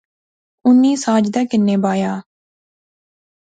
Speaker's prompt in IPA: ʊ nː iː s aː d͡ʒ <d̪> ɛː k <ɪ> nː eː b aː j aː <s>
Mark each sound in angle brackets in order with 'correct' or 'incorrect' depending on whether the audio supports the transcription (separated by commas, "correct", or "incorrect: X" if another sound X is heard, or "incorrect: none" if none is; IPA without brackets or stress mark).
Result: correct, correct, incorrect: none